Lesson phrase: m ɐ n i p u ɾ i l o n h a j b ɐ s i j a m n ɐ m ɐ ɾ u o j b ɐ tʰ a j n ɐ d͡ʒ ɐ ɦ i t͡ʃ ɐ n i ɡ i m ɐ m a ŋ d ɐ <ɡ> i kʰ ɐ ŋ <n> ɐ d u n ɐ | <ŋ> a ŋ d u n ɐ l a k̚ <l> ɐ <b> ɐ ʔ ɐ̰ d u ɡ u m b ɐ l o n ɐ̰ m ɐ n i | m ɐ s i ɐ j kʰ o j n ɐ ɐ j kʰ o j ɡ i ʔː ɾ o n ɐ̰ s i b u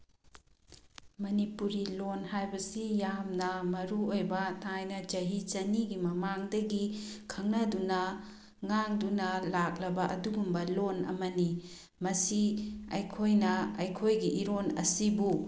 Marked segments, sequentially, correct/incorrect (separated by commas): correct, correct, correct, correct, correct